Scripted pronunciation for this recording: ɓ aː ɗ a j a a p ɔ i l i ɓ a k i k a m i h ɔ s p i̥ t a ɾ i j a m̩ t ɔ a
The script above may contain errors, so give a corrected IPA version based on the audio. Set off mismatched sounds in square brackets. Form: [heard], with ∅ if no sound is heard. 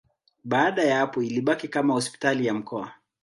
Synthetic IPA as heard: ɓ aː ɗ a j a a p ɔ i l i ɓ a k i k a m [a] h ɔ s p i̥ t a [l] i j a m̩ [k] ɔ a